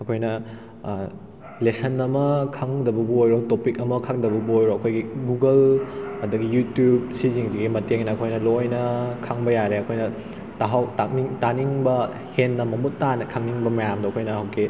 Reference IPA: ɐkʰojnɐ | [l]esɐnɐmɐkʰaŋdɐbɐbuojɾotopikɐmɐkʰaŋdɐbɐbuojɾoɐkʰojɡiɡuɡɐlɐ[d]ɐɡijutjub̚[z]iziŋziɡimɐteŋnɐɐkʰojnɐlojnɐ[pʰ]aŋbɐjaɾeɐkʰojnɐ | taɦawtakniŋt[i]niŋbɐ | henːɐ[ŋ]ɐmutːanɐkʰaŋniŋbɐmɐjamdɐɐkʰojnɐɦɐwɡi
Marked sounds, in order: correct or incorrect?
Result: correct, correct, incorrect, incorrect, incorrect, incorrect

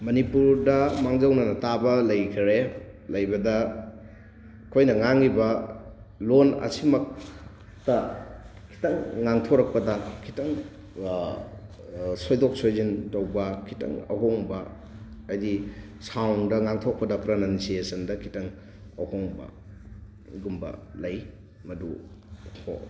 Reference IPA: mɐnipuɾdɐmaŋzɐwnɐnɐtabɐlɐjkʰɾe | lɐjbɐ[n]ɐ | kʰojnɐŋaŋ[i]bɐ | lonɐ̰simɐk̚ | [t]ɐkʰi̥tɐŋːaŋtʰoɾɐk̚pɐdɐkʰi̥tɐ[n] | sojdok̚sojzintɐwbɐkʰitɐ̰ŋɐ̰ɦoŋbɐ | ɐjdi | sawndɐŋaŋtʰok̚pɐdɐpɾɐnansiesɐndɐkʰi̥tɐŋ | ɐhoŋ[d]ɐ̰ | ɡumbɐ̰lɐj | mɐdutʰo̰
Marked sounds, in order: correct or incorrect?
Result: incorrect, correct, correct, incorrect, incorrect

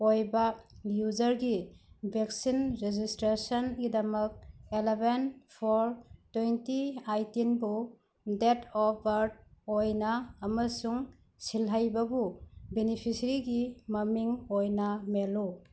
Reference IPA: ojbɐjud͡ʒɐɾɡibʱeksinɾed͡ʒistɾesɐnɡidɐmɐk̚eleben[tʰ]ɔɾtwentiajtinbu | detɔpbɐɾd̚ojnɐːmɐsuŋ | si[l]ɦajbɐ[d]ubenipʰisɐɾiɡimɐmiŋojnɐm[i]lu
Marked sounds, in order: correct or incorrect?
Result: incorrect, correct, incorrect, incorrect

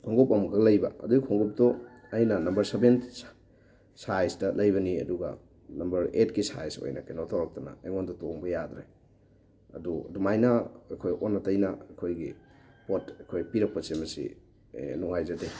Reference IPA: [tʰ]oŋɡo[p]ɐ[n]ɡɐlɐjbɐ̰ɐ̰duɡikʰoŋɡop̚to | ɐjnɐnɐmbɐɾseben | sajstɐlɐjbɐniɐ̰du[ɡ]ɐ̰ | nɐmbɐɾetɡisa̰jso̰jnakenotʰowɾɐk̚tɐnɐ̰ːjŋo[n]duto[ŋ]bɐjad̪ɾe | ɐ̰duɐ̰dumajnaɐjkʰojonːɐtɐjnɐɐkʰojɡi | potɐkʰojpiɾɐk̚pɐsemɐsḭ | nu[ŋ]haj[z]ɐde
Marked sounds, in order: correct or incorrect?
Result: incorrect, correct, incorrect, correct, correct, correct, correct, correct

